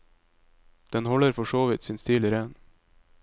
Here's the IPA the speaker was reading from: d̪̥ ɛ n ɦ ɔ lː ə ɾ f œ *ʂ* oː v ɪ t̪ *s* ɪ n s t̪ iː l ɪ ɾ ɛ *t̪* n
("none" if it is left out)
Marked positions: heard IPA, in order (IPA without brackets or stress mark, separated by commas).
ʂ, s, none